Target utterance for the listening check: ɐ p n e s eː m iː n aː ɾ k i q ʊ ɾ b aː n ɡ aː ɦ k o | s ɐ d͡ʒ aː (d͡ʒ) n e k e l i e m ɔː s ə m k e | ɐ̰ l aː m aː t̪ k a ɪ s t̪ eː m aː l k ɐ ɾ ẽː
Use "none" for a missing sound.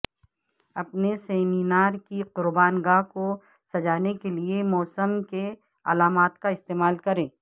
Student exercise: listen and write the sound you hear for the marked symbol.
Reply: none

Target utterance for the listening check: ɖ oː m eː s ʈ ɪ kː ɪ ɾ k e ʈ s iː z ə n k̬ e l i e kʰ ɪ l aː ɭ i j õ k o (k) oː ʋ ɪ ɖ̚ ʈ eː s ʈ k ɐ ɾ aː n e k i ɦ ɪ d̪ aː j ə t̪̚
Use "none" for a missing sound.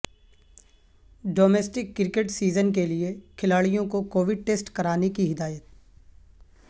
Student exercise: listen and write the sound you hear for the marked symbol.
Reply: k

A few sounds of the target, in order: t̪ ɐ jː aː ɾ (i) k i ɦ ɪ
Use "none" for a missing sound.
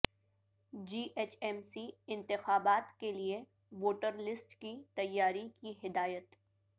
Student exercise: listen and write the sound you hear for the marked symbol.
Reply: i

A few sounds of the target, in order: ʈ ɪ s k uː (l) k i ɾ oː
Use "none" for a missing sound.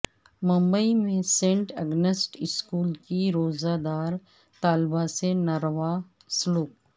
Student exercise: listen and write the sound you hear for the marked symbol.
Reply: l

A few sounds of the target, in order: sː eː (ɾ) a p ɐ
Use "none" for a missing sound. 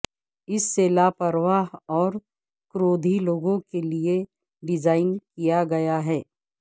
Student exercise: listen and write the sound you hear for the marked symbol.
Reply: l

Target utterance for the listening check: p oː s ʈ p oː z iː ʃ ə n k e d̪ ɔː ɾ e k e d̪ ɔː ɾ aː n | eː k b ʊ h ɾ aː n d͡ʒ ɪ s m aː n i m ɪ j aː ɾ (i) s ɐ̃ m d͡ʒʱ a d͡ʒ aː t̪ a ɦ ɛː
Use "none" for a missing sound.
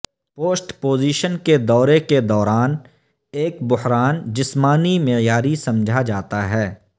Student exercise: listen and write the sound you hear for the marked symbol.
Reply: i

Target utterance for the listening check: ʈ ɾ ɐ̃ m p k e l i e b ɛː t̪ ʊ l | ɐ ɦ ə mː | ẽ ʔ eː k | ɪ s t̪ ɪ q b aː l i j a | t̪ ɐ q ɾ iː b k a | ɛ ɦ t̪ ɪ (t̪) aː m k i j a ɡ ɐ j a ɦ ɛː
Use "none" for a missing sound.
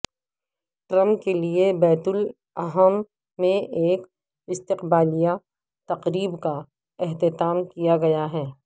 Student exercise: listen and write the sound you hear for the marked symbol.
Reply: t̪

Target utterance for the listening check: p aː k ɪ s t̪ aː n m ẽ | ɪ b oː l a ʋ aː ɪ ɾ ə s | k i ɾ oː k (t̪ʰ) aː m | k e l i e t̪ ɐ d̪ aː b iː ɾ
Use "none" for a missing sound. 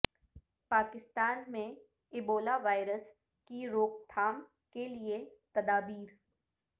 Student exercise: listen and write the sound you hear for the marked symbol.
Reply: t̪ʰ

